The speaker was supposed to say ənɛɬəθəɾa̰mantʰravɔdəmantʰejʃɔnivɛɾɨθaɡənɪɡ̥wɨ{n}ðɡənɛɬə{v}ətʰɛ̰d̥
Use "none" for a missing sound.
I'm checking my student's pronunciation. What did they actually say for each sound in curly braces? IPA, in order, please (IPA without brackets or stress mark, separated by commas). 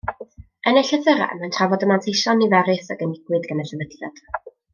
none, v